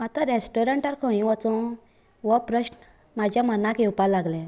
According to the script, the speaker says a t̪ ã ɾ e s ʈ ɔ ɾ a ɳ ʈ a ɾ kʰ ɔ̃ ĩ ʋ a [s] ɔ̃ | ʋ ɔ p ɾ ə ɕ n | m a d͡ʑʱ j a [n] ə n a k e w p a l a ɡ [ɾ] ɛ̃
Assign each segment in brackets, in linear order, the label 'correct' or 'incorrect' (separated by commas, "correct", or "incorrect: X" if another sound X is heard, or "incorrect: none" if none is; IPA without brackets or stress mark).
incorrect: t͡s, incorrect: m, incorrect: l